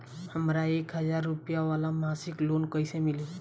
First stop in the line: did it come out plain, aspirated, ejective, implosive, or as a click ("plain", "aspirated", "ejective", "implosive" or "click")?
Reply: plain